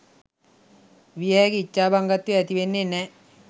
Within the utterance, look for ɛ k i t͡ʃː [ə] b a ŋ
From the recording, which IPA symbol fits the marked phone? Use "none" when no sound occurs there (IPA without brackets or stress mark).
a